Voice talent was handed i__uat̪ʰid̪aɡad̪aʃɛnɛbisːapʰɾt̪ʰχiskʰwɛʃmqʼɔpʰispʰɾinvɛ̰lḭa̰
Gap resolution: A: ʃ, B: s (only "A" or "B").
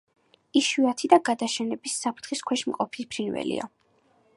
A